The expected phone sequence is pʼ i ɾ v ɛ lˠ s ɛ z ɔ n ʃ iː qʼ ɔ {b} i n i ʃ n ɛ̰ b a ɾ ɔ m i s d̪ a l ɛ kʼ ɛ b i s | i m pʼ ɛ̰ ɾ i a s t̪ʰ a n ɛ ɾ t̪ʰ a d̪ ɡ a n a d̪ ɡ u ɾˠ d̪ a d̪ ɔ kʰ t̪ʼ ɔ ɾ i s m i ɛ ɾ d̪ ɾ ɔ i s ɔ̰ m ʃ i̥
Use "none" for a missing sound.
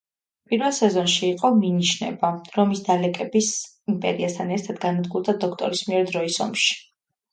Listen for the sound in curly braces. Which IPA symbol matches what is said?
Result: m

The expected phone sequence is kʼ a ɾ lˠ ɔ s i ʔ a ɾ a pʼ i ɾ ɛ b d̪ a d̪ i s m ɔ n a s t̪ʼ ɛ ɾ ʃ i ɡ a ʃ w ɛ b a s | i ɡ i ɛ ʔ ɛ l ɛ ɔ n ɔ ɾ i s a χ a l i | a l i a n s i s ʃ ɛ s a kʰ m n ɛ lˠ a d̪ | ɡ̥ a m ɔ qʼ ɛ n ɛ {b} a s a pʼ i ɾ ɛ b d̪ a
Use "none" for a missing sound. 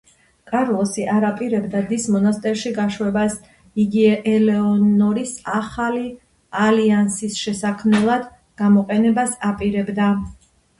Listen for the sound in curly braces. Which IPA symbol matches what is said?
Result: b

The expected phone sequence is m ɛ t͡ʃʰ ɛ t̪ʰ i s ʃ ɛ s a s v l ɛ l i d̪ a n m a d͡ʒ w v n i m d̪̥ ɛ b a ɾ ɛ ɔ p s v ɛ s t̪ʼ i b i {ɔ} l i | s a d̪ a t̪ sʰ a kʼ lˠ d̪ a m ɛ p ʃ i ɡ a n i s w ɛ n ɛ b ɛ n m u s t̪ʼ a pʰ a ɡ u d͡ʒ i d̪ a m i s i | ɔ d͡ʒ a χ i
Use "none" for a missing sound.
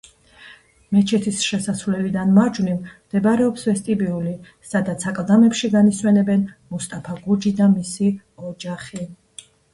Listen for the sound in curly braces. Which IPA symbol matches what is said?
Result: u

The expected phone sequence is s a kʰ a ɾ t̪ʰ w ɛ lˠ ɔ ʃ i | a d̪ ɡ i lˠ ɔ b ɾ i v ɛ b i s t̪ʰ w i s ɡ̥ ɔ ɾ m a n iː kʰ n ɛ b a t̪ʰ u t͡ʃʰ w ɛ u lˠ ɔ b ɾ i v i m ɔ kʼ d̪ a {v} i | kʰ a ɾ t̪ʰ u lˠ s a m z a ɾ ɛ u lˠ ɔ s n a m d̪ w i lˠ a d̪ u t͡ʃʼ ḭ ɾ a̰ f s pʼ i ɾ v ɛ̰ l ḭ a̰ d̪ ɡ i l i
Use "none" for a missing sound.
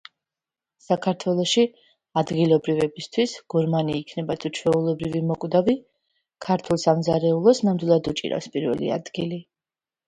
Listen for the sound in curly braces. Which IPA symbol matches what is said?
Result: v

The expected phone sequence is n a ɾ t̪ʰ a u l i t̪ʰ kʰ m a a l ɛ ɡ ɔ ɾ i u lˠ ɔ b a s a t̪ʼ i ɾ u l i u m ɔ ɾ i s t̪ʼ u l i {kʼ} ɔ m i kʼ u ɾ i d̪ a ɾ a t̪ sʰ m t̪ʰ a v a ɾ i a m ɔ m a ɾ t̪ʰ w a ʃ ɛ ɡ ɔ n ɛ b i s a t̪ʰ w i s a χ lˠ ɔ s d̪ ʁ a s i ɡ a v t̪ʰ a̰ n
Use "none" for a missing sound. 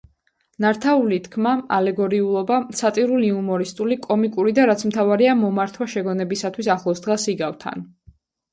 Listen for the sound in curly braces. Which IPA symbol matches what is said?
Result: kʼ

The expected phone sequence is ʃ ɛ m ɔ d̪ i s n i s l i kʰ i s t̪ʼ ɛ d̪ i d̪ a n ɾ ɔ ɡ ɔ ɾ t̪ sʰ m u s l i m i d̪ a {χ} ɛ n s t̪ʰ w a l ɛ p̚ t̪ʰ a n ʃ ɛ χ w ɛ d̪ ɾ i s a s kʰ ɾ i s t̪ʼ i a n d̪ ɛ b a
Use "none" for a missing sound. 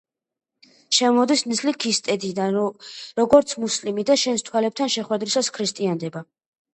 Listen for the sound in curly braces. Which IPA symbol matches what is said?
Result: ʃ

